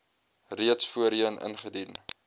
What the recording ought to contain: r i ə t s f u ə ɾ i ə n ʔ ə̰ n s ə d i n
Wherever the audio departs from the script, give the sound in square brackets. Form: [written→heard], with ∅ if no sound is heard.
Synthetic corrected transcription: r i ə t s f u ə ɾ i ə n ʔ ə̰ n [s→χ] ə d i n